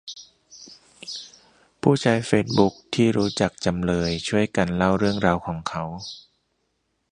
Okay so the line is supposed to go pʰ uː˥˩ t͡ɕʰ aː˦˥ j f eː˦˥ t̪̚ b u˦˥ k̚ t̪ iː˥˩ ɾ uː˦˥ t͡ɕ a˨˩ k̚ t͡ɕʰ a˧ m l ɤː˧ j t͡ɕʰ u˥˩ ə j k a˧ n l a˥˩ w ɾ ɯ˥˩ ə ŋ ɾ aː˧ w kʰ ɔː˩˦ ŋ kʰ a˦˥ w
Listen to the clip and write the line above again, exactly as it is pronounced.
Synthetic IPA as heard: pʰ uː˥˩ t͡ɕʰ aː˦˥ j f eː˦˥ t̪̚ b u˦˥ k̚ t̪ʰ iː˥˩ ɾ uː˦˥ t͡ɕ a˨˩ k̚ t͡ɕ a˧ m l ɤː˧ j t͡ɕʰ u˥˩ ə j k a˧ n l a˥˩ w ɾ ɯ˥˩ ə ŋ ɾ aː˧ w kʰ ɔː˩˦ ŋ kʰ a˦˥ w